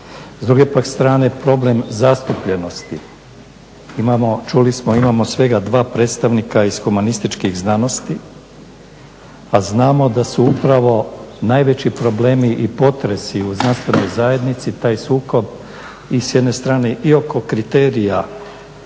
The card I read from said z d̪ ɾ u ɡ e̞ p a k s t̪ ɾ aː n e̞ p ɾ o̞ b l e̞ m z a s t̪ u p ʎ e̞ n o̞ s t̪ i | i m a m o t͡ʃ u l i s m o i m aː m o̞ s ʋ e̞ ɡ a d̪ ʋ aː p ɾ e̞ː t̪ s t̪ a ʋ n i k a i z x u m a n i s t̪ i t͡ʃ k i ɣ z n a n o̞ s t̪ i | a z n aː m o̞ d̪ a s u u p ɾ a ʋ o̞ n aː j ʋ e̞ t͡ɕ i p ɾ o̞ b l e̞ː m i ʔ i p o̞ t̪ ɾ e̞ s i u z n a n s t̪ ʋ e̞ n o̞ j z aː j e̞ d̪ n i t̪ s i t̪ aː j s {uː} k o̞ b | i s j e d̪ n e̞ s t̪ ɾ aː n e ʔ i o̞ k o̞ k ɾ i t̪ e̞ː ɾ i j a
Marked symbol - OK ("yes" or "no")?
yes